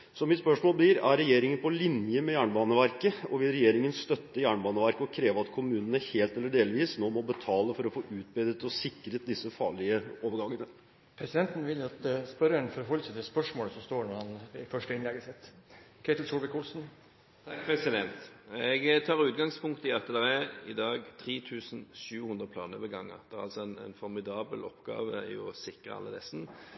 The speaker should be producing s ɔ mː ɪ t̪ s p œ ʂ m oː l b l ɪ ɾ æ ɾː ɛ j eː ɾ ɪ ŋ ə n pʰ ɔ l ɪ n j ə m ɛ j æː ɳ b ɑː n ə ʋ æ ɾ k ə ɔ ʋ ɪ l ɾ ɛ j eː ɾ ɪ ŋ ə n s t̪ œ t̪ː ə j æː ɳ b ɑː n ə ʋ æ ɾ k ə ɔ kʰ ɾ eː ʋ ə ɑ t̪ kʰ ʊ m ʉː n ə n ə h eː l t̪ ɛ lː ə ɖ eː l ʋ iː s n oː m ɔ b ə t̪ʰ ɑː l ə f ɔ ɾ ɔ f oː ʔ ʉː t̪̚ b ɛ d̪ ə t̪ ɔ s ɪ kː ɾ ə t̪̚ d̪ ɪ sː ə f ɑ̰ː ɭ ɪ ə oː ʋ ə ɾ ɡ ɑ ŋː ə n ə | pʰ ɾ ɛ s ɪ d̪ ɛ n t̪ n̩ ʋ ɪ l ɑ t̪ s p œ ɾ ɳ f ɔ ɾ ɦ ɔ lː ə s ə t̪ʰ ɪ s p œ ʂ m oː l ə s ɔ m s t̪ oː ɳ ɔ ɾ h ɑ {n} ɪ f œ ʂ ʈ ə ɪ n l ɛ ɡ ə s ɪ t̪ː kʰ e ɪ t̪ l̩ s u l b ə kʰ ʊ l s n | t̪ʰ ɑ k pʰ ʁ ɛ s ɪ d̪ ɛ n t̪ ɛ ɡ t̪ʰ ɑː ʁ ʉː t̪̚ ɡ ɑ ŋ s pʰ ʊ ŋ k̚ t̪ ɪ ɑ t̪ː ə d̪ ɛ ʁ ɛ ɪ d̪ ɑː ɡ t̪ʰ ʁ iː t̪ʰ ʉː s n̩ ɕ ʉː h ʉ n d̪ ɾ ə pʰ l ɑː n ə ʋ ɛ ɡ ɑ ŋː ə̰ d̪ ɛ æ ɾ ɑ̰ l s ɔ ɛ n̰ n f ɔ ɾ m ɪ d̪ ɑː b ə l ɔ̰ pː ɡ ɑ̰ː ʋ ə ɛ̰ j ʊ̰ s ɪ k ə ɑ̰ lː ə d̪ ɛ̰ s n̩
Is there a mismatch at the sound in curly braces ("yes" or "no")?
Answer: no